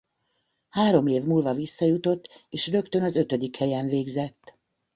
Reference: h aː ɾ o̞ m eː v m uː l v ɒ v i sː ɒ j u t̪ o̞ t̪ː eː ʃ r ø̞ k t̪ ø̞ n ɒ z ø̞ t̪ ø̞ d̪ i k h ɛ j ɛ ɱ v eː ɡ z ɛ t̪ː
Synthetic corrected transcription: h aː ɾ o̞ m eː v m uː l v ɒ v i sː ɒ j u t̪ o̞ t̪ː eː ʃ r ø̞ k t̪ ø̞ n ɒ z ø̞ t̪ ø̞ d̪ i k h ɛ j ɛ ɱ v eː ɡ z ɛ t̪ː